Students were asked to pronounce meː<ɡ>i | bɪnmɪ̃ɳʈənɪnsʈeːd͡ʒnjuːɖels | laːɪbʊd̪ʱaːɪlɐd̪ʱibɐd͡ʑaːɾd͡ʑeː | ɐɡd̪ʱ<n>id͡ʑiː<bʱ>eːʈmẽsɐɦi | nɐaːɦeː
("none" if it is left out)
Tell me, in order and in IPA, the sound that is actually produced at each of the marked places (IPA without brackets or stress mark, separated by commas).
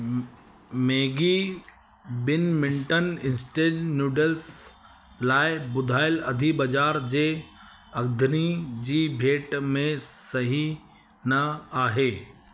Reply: ɡ, n, bʱ